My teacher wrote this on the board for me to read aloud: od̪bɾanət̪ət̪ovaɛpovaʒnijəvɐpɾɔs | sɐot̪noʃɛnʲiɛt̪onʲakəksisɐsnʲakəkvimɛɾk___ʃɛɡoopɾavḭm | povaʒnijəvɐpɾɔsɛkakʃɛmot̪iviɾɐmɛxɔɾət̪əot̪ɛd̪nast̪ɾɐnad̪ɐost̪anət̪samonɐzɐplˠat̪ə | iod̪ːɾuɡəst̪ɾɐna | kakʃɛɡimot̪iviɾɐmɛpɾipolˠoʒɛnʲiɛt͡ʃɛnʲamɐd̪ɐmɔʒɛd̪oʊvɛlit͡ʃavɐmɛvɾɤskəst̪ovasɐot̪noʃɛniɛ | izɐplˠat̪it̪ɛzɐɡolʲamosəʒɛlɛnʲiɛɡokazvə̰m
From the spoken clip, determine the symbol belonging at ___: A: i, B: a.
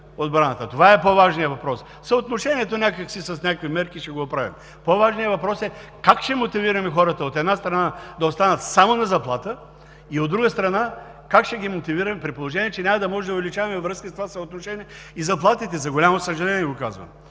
A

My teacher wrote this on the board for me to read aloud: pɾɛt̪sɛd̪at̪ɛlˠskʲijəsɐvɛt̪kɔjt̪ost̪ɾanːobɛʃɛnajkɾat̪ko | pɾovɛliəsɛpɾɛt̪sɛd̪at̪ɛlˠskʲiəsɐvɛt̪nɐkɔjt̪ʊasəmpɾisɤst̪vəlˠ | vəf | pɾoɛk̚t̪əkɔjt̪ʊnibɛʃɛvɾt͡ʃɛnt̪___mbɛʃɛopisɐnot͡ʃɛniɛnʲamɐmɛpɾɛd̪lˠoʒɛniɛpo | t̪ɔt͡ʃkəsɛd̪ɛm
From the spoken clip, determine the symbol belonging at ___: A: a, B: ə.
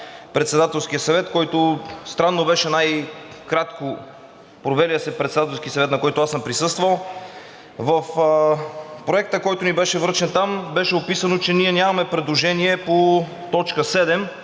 A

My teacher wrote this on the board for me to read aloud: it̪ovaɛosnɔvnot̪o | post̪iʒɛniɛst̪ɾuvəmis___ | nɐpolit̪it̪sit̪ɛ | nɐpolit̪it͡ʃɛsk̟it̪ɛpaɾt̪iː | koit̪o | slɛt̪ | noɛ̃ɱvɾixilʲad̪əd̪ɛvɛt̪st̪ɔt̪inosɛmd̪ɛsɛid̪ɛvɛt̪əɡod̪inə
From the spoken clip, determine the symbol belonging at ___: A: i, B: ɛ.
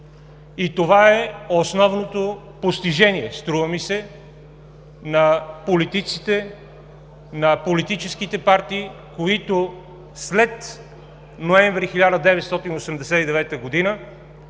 B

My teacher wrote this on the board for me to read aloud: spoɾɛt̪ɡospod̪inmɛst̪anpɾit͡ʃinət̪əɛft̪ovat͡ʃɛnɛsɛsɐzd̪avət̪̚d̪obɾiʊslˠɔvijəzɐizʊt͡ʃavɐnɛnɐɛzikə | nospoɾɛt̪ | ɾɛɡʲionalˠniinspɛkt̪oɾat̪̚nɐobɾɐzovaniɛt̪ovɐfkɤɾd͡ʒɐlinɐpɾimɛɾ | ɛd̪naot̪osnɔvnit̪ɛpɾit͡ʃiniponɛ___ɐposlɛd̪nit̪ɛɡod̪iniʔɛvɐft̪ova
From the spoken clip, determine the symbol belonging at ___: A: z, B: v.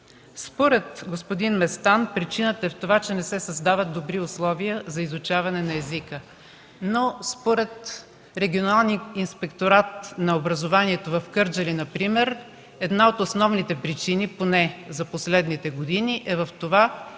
A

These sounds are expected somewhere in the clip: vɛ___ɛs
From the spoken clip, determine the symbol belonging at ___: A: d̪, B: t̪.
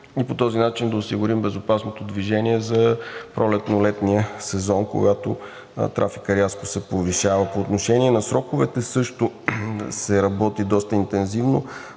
B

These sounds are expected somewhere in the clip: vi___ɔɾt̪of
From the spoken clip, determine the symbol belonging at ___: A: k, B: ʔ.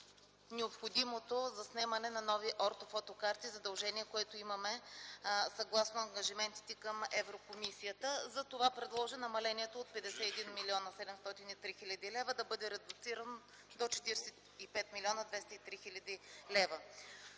B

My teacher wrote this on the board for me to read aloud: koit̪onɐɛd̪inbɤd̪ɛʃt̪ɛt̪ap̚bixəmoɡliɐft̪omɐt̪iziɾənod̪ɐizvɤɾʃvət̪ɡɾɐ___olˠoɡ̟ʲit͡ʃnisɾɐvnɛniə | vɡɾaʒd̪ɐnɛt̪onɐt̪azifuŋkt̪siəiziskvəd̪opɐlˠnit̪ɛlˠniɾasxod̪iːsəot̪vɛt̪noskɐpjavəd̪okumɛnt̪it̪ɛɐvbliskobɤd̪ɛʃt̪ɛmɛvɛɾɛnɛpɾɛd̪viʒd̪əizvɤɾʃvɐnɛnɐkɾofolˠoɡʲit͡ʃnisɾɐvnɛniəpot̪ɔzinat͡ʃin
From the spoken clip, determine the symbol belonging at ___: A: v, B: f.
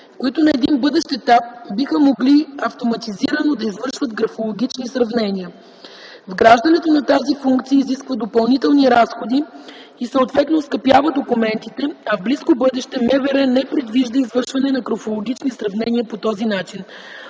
B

